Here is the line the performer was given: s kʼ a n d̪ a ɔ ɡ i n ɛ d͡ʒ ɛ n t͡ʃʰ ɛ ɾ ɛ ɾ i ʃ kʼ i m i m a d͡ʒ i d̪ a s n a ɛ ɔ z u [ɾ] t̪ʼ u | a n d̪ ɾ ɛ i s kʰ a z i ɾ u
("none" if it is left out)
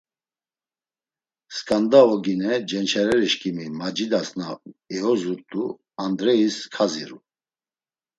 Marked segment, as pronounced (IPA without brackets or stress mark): ɾ